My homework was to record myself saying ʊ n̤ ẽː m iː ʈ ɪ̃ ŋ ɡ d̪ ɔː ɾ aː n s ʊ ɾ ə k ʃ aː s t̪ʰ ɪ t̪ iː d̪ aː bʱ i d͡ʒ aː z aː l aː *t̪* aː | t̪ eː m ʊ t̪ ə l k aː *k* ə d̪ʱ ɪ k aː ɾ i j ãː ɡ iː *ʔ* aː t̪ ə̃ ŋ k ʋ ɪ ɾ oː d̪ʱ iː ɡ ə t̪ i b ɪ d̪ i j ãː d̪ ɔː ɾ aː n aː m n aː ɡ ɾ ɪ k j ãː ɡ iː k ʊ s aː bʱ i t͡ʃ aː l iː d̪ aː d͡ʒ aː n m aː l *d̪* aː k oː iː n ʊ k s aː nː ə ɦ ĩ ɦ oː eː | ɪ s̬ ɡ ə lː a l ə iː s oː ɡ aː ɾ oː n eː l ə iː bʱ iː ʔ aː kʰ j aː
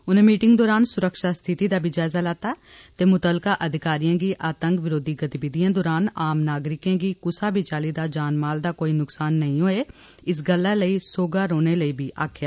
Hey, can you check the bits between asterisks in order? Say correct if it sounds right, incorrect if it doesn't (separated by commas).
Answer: correct, incorrect, correct, correct